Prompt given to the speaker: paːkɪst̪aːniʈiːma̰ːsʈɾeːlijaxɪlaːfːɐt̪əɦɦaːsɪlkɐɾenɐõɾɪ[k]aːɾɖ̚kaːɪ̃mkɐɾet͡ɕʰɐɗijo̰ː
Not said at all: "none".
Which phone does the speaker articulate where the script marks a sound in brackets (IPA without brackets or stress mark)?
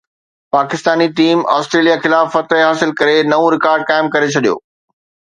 k